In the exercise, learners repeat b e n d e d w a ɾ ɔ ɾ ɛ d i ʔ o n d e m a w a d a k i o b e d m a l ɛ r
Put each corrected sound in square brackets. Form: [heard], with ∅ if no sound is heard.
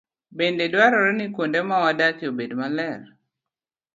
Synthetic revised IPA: b e n d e d w a ɾ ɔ ɾ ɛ [n] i [k] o n d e m a w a d a k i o b e d m a l ɛ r